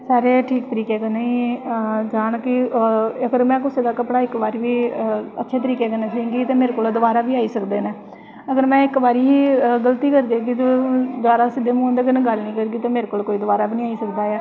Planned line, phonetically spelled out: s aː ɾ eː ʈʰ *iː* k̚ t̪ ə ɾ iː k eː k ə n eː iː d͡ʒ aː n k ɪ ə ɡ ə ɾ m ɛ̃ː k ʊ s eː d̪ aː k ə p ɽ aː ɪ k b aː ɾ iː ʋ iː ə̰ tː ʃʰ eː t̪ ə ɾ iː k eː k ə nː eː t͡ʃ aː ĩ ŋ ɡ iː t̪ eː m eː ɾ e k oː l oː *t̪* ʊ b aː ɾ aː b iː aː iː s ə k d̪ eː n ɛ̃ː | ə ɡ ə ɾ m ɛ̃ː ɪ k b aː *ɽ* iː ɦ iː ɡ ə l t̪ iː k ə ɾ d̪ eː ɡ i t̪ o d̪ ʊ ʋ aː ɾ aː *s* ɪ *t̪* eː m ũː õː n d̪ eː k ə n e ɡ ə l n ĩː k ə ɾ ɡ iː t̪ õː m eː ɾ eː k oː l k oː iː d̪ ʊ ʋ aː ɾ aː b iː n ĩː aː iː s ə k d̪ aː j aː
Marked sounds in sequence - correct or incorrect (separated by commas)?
correct, incorrect, incorrect, correct, incorrect